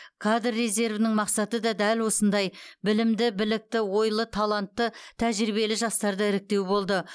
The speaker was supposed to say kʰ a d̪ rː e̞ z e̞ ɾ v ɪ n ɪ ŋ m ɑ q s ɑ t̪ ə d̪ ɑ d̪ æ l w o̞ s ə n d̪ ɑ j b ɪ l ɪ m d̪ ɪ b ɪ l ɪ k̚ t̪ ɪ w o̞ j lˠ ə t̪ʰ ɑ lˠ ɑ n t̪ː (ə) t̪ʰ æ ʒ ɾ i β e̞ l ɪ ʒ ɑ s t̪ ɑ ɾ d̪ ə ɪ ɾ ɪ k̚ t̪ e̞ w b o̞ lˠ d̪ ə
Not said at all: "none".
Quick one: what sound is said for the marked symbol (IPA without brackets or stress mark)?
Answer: ə